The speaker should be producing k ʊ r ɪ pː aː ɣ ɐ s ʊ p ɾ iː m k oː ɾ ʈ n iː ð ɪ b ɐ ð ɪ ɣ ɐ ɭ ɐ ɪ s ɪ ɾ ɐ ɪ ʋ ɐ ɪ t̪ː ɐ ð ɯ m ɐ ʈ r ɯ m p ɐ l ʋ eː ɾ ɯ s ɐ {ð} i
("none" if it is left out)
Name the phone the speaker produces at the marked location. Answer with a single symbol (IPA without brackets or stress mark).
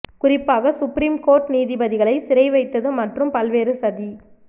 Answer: ð